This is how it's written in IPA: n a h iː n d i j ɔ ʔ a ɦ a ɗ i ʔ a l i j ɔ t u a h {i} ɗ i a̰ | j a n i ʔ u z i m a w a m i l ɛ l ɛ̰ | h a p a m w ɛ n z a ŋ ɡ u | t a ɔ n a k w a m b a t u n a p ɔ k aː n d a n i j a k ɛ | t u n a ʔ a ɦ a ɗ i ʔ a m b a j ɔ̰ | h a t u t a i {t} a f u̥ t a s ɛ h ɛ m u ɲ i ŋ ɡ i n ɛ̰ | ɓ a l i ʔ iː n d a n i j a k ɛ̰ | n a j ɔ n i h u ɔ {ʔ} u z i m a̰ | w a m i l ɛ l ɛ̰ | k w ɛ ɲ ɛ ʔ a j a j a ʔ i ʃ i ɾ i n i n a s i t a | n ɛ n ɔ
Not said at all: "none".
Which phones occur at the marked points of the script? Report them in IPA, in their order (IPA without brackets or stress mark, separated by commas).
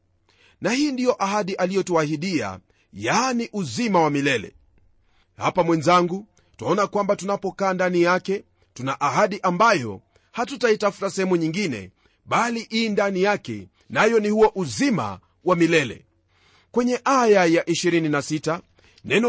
i, t, ʔ